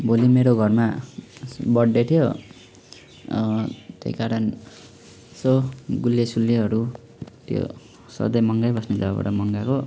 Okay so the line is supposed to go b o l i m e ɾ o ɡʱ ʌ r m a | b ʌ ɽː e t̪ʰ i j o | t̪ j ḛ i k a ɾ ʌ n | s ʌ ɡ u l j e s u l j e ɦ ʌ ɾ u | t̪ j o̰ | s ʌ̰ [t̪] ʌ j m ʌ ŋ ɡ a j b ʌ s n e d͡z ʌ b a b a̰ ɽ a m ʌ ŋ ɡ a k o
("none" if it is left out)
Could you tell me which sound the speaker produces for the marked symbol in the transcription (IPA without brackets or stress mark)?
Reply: d̪